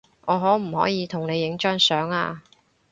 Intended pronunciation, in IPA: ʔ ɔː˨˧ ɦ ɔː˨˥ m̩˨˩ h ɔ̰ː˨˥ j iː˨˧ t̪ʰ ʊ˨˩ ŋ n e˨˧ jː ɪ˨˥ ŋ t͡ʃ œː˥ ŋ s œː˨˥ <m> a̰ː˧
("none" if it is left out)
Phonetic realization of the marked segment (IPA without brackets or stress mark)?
ŋ